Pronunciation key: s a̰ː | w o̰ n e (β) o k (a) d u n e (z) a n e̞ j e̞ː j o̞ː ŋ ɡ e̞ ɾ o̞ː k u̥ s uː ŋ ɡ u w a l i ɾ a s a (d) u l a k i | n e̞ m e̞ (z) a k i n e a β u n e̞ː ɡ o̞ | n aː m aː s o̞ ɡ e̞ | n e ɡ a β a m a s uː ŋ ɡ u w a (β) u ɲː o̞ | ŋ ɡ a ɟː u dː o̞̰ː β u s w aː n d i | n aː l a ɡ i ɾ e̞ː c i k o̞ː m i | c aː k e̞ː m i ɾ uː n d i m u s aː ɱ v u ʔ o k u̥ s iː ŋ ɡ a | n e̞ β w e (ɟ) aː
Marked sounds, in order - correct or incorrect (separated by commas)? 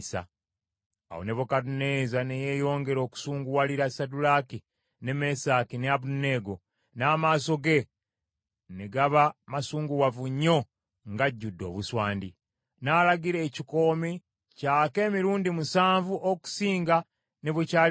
correct, correct, correct, correct, incorrect, incorrect, incorrect